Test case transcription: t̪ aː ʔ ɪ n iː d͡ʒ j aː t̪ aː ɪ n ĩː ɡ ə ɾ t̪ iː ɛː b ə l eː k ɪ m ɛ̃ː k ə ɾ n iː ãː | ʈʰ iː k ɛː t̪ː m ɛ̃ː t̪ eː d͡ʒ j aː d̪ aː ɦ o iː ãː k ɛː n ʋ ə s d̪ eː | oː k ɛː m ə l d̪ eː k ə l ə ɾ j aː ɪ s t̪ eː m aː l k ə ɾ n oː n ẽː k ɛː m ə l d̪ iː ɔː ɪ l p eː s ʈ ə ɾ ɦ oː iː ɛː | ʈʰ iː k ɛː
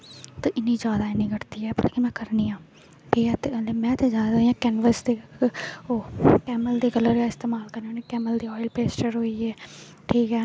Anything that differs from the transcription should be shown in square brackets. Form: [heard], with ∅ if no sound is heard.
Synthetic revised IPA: t̪ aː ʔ ɪ n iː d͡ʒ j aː [d̪] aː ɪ n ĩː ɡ ə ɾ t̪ iː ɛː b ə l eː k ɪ m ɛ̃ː k ə ɾ n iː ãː | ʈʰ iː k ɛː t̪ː m ɛ̃ː t̪ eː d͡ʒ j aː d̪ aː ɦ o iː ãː k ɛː n ʋ ə s d̪ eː | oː k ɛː m ə l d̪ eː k ə l ə ɾ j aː ɪ s t̪ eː m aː l k ə ɾ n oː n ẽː k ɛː m ə l d̪ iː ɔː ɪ l p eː s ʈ ə ɾ ɦ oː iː ɛː | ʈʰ iː k ɛː